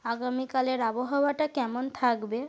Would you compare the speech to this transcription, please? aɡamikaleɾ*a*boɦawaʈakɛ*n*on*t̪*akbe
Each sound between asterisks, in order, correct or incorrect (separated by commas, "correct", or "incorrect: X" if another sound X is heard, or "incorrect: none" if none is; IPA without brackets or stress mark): correct, incorrect: m, incorrect: t̪ʰ